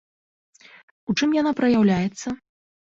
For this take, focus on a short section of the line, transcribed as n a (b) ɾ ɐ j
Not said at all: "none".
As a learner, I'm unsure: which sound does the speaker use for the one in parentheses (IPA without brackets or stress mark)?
p